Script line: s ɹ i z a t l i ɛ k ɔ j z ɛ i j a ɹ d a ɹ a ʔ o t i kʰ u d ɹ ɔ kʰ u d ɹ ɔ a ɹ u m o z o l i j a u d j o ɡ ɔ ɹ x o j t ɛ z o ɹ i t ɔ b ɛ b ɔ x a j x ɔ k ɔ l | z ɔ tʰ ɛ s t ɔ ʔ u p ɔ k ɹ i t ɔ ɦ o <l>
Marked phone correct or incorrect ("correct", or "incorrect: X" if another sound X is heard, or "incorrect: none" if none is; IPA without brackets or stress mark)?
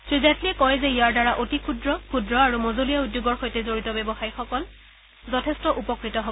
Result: incorrect: none